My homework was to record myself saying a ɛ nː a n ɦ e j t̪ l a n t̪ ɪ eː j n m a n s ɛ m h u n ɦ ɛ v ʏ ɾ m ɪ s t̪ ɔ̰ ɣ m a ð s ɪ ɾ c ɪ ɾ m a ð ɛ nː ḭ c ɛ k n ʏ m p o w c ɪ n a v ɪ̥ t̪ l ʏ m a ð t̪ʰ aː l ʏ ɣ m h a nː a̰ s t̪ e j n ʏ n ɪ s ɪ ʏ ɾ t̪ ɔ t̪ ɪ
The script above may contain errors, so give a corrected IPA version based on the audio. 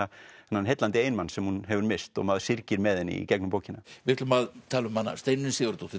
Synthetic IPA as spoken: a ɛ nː a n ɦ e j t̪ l a n t̪ ɪ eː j n m a n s ɛ m h u n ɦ ɛ v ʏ ɾ m ɪ s t̪ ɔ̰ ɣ m a ð s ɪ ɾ c ɪ ɾ m ɛ ð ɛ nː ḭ c ɛ k n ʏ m p o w c ɪ n a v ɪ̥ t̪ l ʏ m a ð t̪ʰ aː l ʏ m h a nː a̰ s t̪ e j n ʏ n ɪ s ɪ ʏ ɾ t̪ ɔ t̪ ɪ